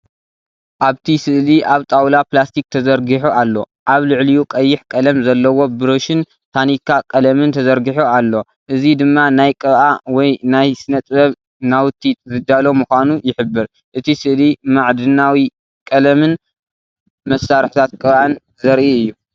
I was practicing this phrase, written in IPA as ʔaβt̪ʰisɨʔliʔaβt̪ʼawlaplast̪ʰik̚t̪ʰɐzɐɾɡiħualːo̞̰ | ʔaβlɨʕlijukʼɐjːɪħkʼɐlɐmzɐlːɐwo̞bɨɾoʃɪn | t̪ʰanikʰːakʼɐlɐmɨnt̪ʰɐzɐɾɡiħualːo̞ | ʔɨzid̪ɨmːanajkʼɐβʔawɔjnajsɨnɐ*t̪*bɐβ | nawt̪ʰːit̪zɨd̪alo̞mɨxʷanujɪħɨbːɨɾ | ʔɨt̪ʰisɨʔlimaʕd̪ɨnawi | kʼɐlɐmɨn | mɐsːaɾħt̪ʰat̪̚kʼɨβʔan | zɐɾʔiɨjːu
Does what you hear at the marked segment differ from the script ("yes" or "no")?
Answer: yes